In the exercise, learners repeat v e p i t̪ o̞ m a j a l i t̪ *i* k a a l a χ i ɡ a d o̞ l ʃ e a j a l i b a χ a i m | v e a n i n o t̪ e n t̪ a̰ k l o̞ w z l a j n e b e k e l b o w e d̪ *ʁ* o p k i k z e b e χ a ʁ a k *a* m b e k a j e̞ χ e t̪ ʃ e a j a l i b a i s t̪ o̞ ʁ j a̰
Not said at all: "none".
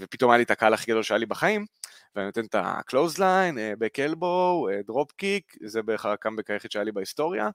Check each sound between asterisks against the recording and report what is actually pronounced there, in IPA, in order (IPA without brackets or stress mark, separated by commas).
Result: a, ʁ, a